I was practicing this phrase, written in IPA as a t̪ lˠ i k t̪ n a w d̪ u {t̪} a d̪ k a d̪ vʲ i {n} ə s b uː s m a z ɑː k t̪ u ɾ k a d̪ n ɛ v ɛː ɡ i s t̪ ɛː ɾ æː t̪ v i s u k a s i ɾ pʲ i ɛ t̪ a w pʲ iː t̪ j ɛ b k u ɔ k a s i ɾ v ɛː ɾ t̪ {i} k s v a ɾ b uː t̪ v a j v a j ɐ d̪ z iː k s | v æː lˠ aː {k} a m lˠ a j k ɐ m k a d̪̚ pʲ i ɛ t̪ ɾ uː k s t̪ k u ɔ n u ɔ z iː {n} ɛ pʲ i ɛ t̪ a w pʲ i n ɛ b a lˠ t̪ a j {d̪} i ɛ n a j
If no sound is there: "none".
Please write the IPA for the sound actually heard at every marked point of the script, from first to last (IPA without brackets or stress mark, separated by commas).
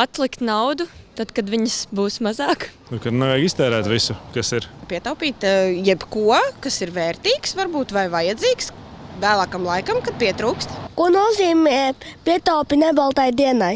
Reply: t̪, ɲ, iː, k, m, d̪